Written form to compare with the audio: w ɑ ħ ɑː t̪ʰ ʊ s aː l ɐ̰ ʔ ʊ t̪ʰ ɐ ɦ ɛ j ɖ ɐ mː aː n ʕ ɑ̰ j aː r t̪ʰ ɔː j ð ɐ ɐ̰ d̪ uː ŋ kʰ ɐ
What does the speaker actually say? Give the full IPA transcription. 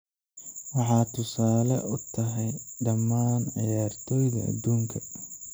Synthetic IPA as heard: w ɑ ħ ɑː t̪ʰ ʊ s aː l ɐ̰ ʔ ʊ t̪ʰ ɐ ɦ ɛ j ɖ ɐ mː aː n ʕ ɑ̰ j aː r t̪ʰ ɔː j ð ɐ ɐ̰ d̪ uː ŋ kʰ ɐ

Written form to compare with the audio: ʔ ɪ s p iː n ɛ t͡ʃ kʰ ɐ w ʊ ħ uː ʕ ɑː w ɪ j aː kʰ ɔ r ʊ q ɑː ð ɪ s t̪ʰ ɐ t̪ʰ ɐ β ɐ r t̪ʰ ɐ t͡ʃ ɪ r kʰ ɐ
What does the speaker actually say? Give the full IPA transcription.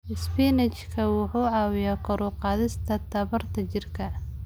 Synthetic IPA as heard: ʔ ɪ s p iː n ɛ t͡ʃ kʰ ɐ w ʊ ħ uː ʕ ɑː w ɪ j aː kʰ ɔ ɾ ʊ q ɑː ð ɪ s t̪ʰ ɐ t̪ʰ ɐ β ɐ r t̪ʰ ɐ t͡ʃ ɪ r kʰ ɐ

